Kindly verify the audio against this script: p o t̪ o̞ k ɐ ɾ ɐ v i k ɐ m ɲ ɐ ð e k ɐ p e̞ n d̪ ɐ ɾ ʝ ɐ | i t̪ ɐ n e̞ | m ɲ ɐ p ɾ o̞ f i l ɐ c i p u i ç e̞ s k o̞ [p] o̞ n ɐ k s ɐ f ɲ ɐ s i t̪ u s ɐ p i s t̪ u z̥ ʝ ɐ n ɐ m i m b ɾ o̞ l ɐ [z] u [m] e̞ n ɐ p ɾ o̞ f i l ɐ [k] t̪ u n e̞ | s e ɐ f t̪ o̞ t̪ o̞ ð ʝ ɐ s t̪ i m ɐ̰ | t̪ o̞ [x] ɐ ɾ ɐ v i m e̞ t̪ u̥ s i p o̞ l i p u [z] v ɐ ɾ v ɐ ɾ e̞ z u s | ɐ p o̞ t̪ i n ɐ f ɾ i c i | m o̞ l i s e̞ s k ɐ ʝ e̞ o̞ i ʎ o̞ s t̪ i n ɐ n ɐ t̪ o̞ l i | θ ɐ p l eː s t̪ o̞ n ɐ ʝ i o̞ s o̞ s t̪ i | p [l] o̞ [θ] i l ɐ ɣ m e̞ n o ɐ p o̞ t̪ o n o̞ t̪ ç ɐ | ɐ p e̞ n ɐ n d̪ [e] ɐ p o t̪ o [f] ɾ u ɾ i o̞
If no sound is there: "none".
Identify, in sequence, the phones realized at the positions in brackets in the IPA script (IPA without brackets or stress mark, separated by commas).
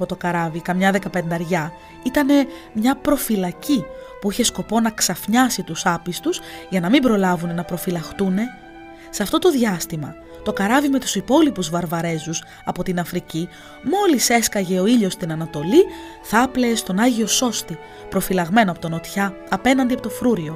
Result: p, v, n, x, k, z, ɾ, f, i, f